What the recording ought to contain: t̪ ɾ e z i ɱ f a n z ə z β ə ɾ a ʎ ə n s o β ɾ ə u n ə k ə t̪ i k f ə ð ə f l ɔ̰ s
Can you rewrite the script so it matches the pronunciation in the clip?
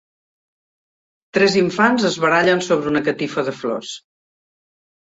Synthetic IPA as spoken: t̪ ɾ ɛ z i ɱ f a n z ə z β ə ɾ a ʎ ə n s o β ɾ ə u n ə k ə t̪ i f ə ð ə f l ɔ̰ s

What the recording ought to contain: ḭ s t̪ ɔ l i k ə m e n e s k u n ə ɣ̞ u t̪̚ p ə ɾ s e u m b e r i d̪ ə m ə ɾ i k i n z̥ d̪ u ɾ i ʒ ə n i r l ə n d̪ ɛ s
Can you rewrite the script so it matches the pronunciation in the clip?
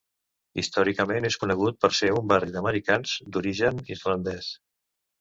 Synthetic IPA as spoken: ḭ s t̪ ɔ ɾ i k ə m e n e s k u n ə ɣ̞ u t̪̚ p ə ɾ s e u m b a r i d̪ ə m ə ɾ i k a n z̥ d̪ u ɾ i ʒ ə n i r l ə n d̪ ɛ s

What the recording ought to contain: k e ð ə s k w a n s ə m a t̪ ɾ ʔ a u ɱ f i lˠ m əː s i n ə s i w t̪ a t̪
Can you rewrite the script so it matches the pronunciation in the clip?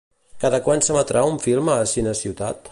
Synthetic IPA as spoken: k a ð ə k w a n s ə m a t̪ ɾ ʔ a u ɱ f i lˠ m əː s i n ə s i w t̪ a t̪

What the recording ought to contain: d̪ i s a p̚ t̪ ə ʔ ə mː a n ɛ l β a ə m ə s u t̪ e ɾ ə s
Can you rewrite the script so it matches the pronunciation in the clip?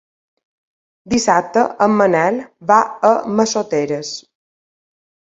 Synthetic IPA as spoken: d̪ i s a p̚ t̪ ə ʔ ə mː ə n ɛ l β a ə m ə s o t̪ e ɾ ə s

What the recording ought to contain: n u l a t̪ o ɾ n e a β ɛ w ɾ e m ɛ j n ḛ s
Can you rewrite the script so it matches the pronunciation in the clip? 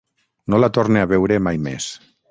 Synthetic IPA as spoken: n o l a t̪ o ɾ n e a β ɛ w ɾ e m a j m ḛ s

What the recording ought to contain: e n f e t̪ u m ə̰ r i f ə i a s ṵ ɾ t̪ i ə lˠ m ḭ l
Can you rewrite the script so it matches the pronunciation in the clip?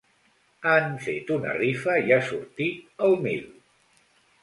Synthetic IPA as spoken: a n f e t̪ u n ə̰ r i f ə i a s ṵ ɾ t̪ i ə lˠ m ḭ l

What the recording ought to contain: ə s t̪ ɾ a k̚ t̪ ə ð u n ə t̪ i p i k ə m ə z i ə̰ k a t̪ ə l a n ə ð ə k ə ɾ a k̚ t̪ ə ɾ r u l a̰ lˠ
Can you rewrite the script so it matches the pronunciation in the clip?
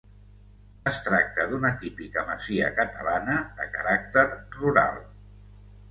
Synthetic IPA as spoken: ə s t̪ ɾ a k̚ t̪ ə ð u n ə t̪ i p i k ə m ə z i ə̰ k ə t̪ ə l a n ə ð ə k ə ɾ a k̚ t̪ ə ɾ r u ɾ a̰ lˠ

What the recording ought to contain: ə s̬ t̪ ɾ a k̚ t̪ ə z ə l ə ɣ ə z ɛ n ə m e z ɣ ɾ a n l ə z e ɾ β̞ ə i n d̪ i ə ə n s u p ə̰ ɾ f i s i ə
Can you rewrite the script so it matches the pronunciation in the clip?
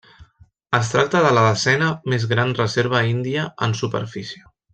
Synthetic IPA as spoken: ə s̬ t̪ ɾ a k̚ t̪ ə ð ə l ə ð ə z ɛ n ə m e z ɣ ɾ a n r ə z e ɾ β̞ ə i n d̪ i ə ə n s u p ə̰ ɾ f i s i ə

